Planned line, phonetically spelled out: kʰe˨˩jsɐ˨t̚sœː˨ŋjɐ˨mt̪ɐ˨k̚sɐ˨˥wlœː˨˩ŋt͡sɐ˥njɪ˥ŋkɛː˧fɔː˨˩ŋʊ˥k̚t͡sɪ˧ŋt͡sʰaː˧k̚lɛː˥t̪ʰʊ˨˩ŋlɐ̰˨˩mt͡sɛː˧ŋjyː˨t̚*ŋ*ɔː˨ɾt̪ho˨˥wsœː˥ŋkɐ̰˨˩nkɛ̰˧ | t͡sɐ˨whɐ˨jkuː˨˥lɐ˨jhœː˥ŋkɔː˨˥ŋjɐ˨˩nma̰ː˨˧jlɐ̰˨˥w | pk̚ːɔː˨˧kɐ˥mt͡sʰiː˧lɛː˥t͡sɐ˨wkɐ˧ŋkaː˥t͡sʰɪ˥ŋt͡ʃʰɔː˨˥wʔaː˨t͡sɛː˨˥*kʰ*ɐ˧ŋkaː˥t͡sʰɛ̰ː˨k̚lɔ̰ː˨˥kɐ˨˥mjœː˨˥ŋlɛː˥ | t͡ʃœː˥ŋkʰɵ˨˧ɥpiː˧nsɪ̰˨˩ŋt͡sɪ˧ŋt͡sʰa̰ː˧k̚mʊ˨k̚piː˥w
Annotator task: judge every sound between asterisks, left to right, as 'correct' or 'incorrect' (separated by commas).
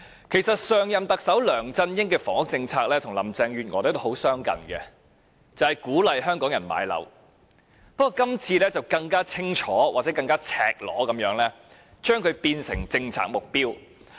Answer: correct, incorrect